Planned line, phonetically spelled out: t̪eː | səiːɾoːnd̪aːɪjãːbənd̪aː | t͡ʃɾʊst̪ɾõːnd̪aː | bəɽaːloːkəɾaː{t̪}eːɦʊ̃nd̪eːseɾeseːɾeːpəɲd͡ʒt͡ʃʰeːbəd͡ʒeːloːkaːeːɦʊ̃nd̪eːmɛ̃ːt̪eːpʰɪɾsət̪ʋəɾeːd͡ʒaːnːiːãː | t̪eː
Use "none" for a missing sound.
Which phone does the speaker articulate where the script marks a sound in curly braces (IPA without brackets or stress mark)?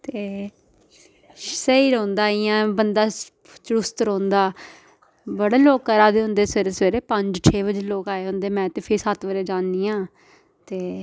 d̪